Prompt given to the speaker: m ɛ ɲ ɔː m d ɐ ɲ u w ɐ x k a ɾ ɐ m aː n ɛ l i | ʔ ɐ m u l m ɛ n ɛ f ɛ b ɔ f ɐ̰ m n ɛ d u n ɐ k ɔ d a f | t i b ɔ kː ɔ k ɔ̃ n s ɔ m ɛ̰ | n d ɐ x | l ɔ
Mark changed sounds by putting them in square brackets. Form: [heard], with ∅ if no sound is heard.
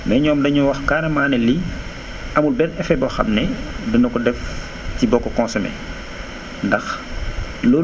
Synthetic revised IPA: m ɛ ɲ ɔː m d ɐ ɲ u w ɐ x k a ɾ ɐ m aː n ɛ l i | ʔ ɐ m u l [b] ɛ n ɛ f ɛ b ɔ [x] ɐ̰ m n ɛ d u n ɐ k ɔ d [ɛ] f | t i b ɔ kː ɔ k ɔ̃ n s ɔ m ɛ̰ | n d ɐ x | l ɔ